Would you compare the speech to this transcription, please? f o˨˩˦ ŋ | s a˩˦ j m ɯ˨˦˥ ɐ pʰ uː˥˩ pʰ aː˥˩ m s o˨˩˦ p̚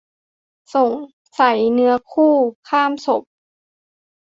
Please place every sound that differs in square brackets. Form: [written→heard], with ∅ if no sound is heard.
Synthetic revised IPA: [f→s] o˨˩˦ ŋ | s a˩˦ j [m→n] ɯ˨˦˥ ɐ [pʰ→kʰ] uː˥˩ [pʰ→kʰ] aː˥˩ m s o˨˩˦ p̚